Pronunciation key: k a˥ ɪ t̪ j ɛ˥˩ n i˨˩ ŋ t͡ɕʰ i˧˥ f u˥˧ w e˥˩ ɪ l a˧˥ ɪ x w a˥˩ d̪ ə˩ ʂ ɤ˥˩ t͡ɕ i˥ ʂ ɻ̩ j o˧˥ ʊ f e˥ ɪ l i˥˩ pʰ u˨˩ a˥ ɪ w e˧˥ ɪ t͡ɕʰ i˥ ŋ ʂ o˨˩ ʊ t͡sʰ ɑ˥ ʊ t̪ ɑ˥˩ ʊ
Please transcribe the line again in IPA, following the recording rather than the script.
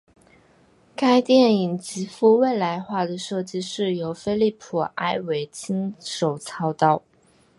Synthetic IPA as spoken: k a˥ ɪ t̪ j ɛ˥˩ n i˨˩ ŋ t͡ɕ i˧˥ f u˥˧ w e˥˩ ɪ l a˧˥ ɪ x w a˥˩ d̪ ə˩ ʂ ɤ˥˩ t͡ɕ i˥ ʂ ɻ̩ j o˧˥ ʊ f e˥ ɪ l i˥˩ pʰ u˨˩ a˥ ɪ w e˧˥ ɪ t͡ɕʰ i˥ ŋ ʂ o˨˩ ʊ t͡sʰ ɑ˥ ʊ t̪ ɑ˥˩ ʊ

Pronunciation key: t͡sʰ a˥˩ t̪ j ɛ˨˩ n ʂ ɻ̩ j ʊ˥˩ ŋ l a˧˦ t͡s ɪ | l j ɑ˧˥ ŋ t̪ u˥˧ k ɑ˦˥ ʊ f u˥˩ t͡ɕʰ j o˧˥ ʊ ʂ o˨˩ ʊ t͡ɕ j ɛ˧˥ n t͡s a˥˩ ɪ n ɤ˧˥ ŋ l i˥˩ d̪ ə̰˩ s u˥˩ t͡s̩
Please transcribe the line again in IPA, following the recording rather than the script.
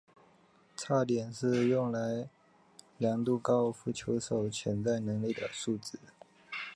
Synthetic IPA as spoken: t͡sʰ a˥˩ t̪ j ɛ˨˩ n ʂ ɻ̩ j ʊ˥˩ ŋ l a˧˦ ɪ | l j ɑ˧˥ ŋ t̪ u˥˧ k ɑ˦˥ ʊ f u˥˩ t͡ɕʰ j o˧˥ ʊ ʂ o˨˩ ʊ t͡ɕʰ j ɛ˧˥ n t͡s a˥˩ ɪ n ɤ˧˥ ŋ l i˥˩ d̪ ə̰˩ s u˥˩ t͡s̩

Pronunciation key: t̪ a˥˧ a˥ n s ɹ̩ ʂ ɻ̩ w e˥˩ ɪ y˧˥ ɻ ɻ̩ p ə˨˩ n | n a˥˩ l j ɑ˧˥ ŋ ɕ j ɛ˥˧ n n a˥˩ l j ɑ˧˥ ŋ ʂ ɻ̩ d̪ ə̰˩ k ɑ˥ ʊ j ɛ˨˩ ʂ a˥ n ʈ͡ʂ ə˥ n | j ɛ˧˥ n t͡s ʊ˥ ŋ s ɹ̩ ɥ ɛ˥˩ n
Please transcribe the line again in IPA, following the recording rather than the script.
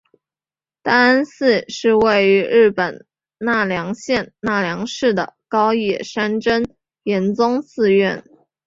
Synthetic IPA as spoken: t̪ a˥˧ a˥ n s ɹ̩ ʂ ɻ̩ w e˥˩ ɪ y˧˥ ɻ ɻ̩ p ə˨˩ n | n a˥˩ l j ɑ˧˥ ŋ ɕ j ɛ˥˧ n n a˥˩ l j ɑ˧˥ ŋ ʂ ɻ̩ d̪ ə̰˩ k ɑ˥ ʊ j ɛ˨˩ ʂ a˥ n ʈ͡ʂ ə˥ n | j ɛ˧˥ n t͡s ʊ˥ ŋ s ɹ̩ ɥ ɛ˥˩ n

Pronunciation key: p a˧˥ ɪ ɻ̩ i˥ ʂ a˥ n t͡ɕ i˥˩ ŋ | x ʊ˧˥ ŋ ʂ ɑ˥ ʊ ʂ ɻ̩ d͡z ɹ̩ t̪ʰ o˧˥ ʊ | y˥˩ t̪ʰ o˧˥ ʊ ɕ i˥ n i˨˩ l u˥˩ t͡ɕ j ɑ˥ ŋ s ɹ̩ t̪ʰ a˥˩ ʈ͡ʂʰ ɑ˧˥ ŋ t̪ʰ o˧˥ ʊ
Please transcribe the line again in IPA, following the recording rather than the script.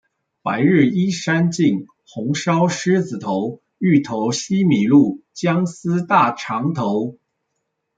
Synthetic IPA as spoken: p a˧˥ ɪ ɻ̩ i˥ ʂ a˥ n t͡ɕ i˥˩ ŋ | x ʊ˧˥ ŋ ʂ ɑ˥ ʊ ʂ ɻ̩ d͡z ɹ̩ t̪ʰ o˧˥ ʊ | y˥˩ t̪ʰ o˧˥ ʊ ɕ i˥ m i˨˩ l u˥˩ t͡ɕ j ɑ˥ ŋ s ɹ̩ t̪ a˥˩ ʈ͡ʂʰ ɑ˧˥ ŋ t̪ʰ o˧˥ ʊ

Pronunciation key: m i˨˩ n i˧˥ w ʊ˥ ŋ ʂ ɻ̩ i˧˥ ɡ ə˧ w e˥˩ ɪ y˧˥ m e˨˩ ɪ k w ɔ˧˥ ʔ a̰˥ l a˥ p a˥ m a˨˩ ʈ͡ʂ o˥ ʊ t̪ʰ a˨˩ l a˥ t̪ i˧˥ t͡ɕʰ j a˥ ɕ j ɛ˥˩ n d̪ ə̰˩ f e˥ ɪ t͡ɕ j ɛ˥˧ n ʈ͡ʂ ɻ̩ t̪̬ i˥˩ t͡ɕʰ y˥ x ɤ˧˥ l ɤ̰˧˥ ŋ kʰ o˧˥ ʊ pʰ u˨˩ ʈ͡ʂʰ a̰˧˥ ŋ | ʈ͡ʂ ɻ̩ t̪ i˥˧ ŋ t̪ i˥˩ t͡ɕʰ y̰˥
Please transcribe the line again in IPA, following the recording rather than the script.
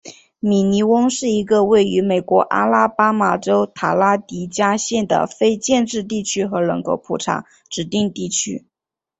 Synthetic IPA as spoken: m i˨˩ n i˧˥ w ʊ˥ ŋ ʂ ɻ̩ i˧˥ ɡ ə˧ w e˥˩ ɪ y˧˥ m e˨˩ ɪ k w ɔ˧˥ ʔ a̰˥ l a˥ p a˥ m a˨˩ ʈ͡ʂ o˥ ʊ t̪ʰ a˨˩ l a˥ t̪ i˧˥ t͡ɕ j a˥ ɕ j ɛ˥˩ n d̪ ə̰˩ f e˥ ɪ t͡ɕ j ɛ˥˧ n ʈ͡ʂ ɻ̩ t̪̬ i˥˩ t͡ɕʰ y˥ x ɤ˧˥ l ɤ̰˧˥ ŋ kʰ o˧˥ ʊ pʰ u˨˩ ʈ͡ʂʰ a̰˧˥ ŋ | ʈ͡ʂ ɻ̩ t̪ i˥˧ ŋ t̪ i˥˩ t͡ɕʰ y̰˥

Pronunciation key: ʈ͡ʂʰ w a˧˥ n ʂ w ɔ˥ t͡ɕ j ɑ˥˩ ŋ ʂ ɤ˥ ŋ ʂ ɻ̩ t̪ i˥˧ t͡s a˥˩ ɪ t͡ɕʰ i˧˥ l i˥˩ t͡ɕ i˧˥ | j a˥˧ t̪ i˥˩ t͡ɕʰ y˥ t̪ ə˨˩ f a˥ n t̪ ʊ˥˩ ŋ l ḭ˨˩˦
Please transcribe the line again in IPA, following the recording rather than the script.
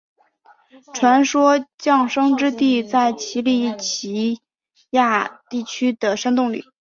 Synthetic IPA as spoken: ʈ͡ʂʰ w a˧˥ n ʂ w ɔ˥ t͡ɕ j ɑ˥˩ ŋ ʂ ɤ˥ ŋ ʈ͡ʂ ɻ̩ t̪ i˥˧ t͡s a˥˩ ɪ t͡ɕʰ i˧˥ l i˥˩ t͡ɕʰ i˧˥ | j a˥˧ t̪ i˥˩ t͡ɕʰ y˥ d̪ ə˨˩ ʂ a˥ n t̪ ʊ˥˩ ŋ l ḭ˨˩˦

